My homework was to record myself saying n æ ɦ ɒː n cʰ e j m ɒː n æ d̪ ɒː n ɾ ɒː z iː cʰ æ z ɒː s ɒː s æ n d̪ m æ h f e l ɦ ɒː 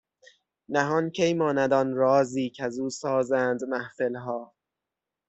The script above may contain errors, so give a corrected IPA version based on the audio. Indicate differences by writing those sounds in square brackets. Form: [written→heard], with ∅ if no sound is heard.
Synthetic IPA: n æ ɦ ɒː n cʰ e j m ɒː n æ d̪ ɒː n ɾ ɒː z iː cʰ æ z [ɒː→uː] s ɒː [s→z] æ n d̪ m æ h f e l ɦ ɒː